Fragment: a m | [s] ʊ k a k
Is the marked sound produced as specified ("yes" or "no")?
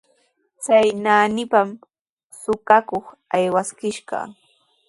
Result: yes